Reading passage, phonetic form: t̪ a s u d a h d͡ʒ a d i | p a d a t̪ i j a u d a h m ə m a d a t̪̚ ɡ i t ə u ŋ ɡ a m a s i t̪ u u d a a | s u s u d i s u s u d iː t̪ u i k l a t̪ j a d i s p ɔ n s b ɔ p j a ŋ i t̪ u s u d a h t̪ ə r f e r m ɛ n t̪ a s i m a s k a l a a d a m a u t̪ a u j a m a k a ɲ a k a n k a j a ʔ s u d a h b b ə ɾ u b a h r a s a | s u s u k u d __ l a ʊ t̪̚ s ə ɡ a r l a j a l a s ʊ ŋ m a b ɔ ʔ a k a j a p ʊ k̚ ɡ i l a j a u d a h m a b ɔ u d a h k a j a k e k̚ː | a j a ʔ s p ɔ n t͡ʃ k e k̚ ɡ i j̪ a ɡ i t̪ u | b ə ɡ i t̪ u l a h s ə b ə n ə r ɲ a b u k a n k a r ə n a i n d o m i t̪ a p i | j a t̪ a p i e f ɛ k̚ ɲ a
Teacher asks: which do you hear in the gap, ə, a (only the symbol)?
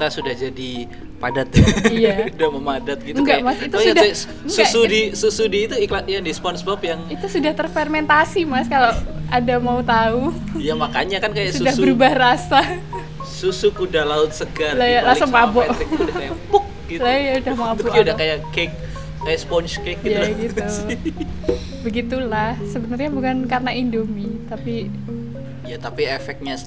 a